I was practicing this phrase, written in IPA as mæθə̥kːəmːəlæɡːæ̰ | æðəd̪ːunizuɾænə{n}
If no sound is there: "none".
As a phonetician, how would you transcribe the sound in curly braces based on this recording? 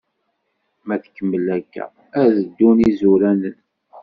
n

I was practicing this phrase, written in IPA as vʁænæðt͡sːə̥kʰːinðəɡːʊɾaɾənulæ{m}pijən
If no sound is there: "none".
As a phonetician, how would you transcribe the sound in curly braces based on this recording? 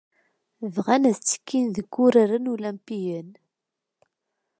m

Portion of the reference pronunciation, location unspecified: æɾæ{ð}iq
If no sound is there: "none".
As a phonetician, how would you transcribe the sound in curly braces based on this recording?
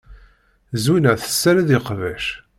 ð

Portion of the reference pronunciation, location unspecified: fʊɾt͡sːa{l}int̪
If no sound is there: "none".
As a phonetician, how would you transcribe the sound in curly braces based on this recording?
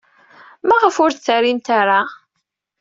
ɾ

